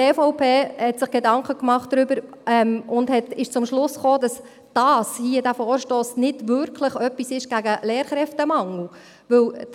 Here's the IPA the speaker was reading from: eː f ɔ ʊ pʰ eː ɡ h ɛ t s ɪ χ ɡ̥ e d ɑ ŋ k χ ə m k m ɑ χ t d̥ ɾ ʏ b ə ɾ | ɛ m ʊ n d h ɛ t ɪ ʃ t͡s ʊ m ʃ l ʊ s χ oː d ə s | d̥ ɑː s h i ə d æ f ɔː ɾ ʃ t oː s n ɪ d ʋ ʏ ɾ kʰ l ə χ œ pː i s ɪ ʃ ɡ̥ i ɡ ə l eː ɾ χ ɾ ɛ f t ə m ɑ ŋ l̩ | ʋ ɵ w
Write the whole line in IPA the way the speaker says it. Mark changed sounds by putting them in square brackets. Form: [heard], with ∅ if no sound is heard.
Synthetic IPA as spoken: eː f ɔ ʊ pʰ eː [∅] h ɛ t s ɪ χ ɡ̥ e d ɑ ŋ k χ ə [∅] k m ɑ χ t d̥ ɾ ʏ b ə ɾ | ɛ m ʊ n d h ɛ t ɪ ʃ t͡s ʊ m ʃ l ʊ s χ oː d [ɑ] s | d̥ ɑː s h i ə d æ f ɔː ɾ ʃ t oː s n ɪ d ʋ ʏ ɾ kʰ l ə χ œ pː i s ɪ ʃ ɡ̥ [æ] ɡ ə l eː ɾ χ ɾ ɛ f t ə m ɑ ŋ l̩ | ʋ ɵ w